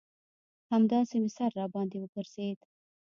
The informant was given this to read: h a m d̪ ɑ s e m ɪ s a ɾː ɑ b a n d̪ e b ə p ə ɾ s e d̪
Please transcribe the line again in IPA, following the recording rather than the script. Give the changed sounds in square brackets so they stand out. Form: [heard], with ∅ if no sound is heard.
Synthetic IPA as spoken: h a m d̪ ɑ s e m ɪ s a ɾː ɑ b [ɑ] n d̪ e [w] ə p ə ɾ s e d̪